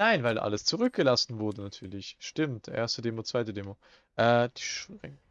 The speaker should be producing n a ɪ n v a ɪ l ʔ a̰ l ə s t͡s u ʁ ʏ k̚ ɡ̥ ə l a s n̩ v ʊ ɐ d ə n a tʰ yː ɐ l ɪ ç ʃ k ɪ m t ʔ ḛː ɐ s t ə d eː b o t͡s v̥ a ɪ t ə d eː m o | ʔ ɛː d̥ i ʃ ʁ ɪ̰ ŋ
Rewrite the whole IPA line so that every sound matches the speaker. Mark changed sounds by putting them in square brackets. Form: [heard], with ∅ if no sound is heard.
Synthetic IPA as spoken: n a ɪ n v a ɪ l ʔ a̰ l ə s t͡s u ʁ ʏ k̚ ɡ̥ ə l a s n̩ v ʊ ɐ d ə n a tʰ yː ɐ l ɪ ç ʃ [t] ɪ m t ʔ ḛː ɐ s t ə d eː [m] o t͡s v̥ a ɪ t ə d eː m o | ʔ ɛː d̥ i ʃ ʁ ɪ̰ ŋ